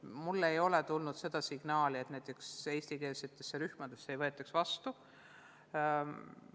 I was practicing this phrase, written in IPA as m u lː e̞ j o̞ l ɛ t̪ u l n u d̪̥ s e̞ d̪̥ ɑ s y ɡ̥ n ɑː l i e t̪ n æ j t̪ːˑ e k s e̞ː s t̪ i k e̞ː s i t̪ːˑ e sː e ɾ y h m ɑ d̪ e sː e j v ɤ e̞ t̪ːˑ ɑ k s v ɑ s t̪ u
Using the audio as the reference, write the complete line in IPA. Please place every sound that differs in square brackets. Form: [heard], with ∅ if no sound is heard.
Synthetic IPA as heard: m u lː e̞ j o̞ l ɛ t̪ u l n u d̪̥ s e̞ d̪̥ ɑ s [i] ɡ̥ n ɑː l i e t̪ n æ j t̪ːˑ e k s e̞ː s t̪ i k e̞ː s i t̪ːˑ e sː e ɾ y h m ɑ d̪ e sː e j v ɤ e̞ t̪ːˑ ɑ k s v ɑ s t̪ u